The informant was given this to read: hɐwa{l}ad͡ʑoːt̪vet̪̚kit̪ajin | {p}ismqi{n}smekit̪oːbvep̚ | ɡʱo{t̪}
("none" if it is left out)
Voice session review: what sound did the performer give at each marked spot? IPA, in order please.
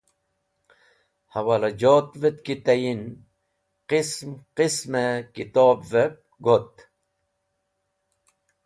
l, q, none, t̪

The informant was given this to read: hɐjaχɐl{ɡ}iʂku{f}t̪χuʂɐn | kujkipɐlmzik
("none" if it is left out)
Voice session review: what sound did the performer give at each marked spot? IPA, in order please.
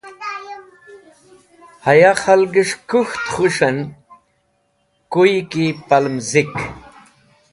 ɡ, x

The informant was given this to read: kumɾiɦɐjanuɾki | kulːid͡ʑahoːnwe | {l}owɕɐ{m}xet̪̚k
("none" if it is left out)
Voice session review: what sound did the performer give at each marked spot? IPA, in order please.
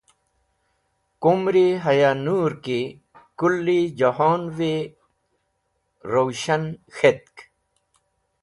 ɾ, n

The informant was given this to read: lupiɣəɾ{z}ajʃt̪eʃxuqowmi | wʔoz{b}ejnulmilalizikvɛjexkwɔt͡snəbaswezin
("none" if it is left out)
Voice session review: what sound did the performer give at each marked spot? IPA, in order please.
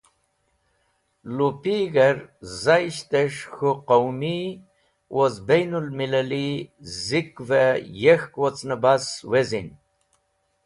z, b

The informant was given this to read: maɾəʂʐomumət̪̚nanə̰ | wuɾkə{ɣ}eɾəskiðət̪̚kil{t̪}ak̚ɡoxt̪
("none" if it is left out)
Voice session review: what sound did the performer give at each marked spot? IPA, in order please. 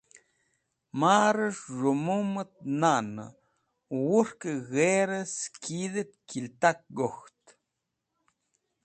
ɣ, t̪

